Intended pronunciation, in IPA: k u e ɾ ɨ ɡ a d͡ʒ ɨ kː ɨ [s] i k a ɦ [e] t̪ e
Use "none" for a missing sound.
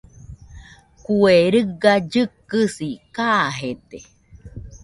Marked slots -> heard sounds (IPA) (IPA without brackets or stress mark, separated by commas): s, e